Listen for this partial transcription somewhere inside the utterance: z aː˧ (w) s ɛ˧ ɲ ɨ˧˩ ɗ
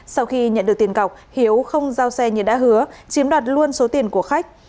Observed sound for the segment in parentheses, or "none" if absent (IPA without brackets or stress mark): w